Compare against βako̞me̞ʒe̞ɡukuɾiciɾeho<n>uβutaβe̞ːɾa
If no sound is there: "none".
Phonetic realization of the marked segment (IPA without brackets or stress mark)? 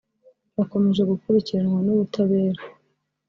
n